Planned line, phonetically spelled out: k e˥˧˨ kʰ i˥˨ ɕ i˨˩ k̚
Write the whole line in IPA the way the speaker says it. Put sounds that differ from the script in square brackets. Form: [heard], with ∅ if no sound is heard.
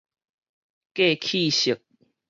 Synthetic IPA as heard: k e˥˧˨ kʰ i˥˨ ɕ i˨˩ k̚